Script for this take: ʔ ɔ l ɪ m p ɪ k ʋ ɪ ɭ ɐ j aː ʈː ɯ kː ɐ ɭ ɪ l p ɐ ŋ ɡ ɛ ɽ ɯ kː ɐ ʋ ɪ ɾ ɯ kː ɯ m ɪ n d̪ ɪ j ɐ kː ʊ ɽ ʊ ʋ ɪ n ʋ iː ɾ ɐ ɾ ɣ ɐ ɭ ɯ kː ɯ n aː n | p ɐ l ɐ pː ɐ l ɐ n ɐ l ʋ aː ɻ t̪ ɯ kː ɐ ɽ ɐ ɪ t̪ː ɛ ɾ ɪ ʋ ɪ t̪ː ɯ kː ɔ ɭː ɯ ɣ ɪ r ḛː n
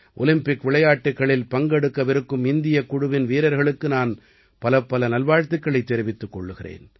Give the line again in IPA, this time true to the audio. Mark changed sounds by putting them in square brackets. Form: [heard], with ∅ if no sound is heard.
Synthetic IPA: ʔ ɔ l ɪ m p ɪ k ʋ ɪ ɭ ɐ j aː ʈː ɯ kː ɐ ɭ ɪ l p ɐ ŋ ɡ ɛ ɽ ɯ kː ɐ ʋ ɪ ɾ ɯ kː ɯ m ɪ n d̪ ɪ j ɐ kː ʊ ɽ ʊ ʋ ɪ n ʋ iː ɾ ɐ ɾ ɣ ɐ ɭ ɯ kː ɯ n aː n | p ɐ l ɐ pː ɐ l ɐ n ɐ l ʋ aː ɻ t̪ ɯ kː ɐ [ɭ] ɐ ɪ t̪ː ɛ ɾ ɪ ʋ ɪ t̪ː ɯ kː ɔ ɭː ɯ ɣ ɪ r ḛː n

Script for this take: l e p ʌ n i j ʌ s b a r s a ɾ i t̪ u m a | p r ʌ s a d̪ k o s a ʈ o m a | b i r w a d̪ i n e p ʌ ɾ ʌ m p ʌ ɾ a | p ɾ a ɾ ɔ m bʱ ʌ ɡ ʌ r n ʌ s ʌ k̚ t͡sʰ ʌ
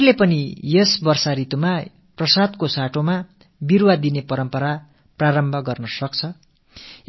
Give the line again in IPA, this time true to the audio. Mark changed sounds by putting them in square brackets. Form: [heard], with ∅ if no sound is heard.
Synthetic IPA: l e p ʌ n i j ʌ s b [ʌ] r s a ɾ i t̪ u m a | p r ʌ s a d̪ k o s a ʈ o m a | b i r w a d̪ i n e p ʌ ɾ ʌ m p ʌ ɾ a | p [r] a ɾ [ʌ] m bʱ ʌ ɡ ʌ r n ʌ s ʌ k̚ t͡sʰ ʌ

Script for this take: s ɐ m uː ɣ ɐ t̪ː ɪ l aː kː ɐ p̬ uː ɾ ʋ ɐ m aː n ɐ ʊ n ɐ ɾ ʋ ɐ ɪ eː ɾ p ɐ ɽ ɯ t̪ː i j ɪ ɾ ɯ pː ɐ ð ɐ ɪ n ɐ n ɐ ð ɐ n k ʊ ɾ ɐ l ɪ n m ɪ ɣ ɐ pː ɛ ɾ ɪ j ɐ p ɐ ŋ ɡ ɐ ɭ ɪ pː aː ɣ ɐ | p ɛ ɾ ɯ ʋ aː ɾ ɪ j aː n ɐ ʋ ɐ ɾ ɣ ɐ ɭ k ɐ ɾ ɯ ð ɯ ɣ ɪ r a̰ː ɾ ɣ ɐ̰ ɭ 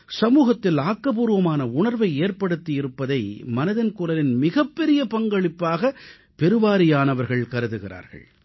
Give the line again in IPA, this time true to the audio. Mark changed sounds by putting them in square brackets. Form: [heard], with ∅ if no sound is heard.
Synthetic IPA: s ɐ m uː ɣ ɐ t̪ː ɪ l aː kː ɐ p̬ uː ɾ ʋ ɐ m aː n ɐ ʊ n ɐ ɾ ʋ ɐ ɪ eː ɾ p ɐ ɽ ɯ t̪ː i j ɪ ɾ ɯ pː ɐ ð ɐ ɪ [m] ɐ n ɐ ð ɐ n k ʊ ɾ ɐ l ɪ n m ɪ ɣ ɐ pː ɛ ɾ ɪ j ɐ p ɐ ŋ ɡ ɐ ɭ ɪ pː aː ɣ ɐ | p ɛ ɾ ɯ ʋ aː ɾ ɪ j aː n ɐ ʋ ɐ ɾ ɣ ɐ ɭ k ɐ ɾ ɯ ð ɯ ɣ ɪ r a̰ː ɾ ɣ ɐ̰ ɭ

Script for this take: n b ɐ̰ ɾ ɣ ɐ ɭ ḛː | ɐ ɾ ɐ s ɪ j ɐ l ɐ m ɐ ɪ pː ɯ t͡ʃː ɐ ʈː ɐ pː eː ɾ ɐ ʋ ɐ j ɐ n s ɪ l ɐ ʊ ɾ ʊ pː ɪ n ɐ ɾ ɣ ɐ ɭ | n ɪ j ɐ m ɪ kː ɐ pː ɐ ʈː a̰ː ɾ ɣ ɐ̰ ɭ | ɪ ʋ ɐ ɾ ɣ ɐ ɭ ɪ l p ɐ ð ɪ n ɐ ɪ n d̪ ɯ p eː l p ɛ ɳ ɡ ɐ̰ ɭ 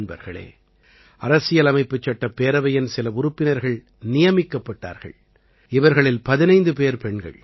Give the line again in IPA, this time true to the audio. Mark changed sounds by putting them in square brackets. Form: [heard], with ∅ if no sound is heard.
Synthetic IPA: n b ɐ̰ ɾ ɣ ɐ ɭ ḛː | ɐ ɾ ɐ s ɪ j ɐ l ɐ m ɐ ɪ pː ɯ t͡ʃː ɐ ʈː ɐ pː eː ɾ ɐ ʋ ɐ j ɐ n s ɪ l ɐ ʊ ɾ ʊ pː ɪ n ɐ ɾ ɣ ɐ ɭ | n ɪ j ɐ m ɪ kː ɐ pː ɐ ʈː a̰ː ɾ ɣ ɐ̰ ɭ | ɪ ʋ ɐ ɾ ɣ ɐ ɭ ɪ l p ɐ ð ɪ n ɐ ɪ n d̪ ɯ p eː [ɾ] p ɛ ɳ ɡ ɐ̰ ɭ

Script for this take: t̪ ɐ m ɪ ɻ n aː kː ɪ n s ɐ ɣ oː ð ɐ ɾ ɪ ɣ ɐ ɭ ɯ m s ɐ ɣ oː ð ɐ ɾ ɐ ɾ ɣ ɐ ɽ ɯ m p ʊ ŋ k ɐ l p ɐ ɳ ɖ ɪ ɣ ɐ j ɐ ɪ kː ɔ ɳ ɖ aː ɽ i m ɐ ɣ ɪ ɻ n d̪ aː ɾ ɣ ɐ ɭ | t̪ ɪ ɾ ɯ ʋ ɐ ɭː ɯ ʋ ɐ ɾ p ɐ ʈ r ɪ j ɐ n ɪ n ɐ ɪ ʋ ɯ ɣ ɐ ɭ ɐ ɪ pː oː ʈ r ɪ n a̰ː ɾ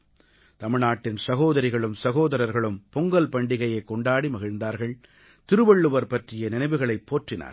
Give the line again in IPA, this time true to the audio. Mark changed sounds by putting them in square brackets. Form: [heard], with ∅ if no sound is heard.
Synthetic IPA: t̪ ɐ m ɪ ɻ n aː [ʈː] ɪ n s ɐ ɣ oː ð ɐ ɾ ɪ ɣ ɐ ɭ ɯ m s ɐ ɣ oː ð ɐ ɾ ɐ ɾ ɣ ɐ [ɭ] ɯ m p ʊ ŋ [ɡ] ɐ l p ɐ ɳ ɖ ɪ ɣ ɐ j ɐ ɪ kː ɔ ɳ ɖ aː ɽ i m ɐ ɣ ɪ ɻ n d̪ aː ɾ ɣ ɐ ɭ | t̪ ɪ ɾ ɯ ʋ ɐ ɭː ɯ ʋ ɐ ɾ p ɐ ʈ r ɪ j ɐ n ɪ n ɐ ɪ ʋ ɯ ɣ ɐ ɭ ɐ ɪ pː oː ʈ r ɪ n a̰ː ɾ

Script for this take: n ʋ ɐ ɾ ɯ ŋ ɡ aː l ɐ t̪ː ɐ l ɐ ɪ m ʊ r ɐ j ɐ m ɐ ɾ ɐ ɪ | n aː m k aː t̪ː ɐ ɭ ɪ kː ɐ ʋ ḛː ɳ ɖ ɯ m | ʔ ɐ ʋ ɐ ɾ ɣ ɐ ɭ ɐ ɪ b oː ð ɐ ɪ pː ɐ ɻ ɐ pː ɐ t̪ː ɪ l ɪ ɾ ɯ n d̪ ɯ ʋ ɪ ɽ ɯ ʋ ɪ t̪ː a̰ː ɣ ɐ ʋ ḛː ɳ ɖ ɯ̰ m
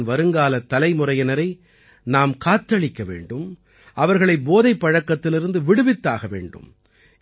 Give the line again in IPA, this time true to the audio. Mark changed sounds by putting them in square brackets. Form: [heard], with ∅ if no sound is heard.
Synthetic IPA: n ʋ ɐ ɾ ɯ ŋ ɡ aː l ɐ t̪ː ɐ l ɐ ɪ m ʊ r ɐ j ɐ [n] ɐ ɾ ɐ ɪ | n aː m k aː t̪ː ɐ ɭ ɪ kː ɐ ʋ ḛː ɳ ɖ ɯ m | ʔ ɐ ʋ ɐ ɾ ɣ ɐ ɭ ɐ ɪ b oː ð ɐ ɪ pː ɐ ɻ ɐ [kː] ɐ t̪ː ɪ l ɪ ɾ ɯ n d̪ ɯ ʋ ɪ ɽ ɯ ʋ ɪ t̪ː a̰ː ɣ ɐ ʋ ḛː ɳ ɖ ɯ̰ m

